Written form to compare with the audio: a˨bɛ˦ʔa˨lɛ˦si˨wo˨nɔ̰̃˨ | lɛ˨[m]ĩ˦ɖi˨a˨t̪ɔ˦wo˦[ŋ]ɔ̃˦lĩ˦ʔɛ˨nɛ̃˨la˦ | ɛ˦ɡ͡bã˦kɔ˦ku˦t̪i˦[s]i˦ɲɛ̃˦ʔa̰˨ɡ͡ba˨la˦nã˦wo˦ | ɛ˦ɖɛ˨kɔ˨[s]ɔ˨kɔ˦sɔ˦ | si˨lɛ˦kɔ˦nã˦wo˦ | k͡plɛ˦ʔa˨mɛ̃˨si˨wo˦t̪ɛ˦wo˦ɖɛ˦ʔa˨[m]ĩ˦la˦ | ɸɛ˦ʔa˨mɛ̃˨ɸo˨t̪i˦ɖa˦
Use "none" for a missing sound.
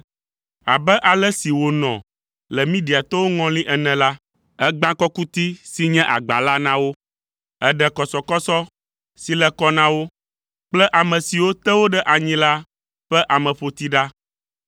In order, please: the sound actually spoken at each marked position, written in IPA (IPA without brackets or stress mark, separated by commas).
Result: m, ŋ, s, s, ɲ